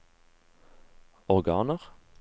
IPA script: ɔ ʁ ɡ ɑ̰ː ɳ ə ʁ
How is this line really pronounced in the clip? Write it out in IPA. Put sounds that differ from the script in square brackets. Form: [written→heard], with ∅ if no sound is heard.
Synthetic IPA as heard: ɔ ʁ ɡ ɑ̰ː [ɳ→n] ə ʁ